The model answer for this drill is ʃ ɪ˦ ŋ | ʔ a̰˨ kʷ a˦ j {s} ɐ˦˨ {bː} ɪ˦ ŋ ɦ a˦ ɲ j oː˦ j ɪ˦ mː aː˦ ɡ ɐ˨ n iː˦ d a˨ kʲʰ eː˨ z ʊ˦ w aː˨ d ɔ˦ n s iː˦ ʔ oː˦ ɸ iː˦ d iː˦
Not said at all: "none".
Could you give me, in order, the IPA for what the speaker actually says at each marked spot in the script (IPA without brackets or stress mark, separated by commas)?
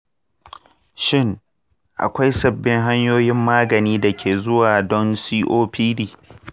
s, bː